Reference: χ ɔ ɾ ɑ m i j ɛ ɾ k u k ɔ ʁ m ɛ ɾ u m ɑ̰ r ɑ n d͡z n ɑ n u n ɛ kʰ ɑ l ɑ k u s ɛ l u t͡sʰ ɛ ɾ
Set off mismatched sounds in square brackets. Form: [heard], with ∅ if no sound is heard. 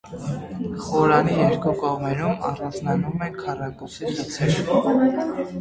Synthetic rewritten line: χ ɔ ɾ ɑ [n] i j ɛ ɾ k u k ɔ ʁ m ɛ ɾ u m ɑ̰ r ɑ n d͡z n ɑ n u [m] ɛ kʰ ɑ [r] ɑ k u s [i] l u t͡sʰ ɛ ɾ